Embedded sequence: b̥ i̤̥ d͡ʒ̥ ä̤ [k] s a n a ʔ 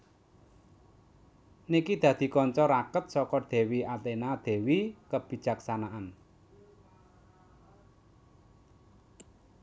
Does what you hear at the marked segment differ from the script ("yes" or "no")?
no